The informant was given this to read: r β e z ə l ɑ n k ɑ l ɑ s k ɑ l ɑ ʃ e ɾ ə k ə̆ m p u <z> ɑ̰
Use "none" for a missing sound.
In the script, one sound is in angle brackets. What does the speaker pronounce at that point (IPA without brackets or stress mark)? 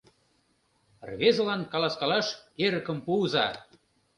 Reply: z